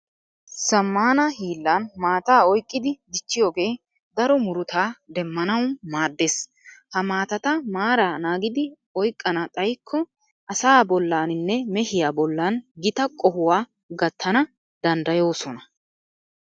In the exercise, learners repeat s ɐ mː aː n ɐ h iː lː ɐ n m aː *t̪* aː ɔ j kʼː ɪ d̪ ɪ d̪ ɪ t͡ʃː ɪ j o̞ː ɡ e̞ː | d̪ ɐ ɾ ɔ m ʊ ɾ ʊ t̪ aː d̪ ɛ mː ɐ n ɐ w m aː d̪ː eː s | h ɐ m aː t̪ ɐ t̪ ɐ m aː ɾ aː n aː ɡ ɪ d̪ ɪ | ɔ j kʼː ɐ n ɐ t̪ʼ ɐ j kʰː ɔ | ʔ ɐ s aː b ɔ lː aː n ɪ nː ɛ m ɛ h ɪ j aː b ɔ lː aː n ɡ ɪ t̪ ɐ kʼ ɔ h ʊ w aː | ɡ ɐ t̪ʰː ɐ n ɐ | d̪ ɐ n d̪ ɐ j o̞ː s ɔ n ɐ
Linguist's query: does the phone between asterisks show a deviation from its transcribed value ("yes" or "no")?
no